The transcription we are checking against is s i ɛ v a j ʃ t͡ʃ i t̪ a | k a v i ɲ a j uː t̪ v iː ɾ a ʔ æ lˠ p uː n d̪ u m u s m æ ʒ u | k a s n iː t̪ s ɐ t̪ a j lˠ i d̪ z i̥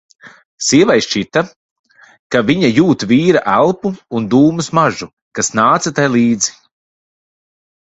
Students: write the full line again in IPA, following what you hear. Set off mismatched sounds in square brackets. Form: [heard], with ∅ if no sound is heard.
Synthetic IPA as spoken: s i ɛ v a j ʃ t͡ʃ i t̪ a | k a v i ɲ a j uː t̪ v iː ɾ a ʔ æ lˠ p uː n d̪ [uː] m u s m [a] ʒ u | k a s n [aː] t̪ s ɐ t̪ a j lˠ [iː] d̪ z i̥